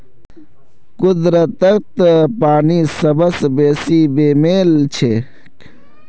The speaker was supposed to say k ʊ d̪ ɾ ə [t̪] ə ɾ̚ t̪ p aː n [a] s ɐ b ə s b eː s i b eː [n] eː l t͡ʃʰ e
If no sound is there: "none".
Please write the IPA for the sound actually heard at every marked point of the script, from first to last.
t̪, i, m

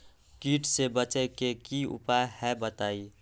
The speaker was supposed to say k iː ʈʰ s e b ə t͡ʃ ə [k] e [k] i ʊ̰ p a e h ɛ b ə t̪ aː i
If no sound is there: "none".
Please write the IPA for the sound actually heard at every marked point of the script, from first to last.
k, k

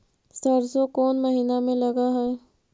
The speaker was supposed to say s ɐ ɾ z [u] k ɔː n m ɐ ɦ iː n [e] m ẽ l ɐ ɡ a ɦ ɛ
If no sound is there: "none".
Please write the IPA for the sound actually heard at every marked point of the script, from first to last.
o, a

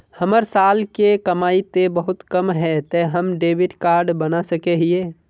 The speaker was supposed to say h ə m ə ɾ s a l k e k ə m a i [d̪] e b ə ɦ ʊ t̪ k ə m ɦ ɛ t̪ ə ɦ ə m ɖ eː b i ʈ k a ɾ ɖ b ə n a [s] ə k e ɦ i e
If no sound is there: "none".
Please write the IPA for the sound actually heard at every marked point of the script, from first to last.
t̪, s

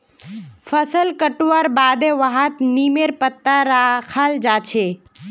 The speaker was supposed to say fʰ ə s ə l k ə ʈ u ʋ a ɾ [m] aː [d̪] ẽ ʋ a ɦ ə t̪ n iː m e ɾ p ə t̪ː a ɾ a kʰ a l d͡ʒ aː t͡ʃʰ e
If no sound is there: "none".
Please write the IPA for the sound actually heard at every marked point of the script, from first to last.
b, d̪

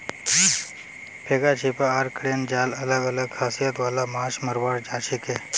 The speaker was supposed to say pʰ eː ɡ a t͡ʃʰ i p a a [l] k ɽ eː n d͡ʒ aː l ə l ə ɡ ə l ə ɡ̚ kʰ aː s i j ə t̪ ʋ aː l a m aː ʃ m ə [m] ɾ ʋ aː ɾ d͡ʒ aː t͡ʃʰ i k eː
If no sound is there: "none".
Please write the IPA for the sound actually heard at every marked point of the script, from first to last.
ɾ, none

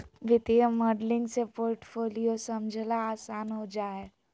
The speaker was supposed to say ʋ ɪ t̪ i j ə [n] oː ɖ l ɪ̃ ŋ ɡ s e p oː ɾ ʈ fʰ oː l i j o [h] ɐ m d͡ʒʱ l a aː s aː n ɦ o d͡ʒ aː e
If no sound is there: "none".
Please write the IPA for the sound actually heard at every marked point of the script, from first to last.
m, s

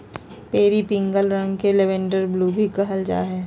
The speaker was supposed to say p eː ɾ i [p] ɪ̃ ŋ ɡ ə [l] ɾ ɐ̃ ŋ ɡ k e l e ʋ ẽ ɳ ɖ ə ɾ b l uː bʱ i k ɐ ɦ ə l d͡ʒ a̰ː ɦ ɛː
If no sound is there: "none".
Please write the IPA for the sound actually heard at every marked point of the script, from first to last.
p, l

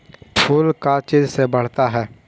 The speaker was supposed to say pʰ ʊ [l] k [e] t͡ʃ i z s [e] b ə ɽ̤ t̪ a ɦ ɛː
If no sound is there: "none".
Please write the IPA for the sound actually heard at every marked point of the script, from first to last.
l, a, e

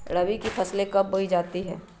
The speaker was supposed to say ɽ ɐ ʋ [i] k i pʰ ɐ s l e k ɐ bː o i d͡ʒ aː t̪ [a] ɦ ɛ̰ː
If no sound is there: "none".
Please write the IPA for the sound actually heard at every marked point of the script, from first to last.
i, i

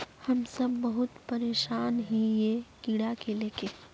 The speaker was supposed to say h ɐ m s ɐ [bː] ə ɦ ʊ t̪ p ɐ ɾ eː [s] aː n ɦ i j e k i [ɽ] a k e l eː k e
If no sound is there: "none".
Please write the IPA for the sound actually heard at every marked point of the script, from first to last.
bː, ʃ, ɽ

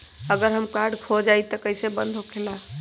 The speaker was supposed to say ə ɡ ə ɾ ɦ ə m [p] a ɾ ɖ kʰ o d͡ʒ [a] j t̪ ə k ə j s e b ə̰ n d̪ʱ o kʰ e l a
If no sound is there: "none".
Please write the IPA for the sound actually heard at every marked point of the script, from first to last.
k, a

